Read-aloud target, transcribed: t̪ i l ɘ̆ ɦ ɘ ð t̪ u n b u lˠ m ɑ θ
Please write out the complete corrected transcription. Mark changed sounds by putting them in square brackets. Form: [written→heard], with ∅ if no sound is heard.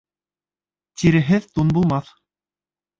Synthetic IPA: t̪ i [l→ɾ] ɘ̆ ɦ ɘ ð t̪ u n b u lˠ m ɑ θ